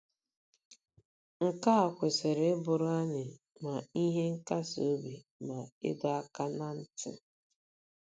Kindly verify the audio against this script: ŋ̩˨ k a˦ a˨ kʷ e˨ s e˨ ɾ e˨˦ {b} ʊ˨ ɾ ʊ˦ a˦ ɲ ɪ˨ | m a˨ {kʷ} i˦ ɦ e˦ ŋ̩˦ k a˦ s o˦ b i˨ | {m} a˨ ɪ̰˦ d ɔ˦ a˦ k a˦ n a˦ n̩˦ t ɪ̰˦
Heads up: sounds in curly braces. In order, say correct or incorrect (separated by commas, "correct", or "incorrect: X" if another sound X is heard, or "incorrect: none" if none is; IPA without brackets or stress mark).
correct, incorrect: none, correct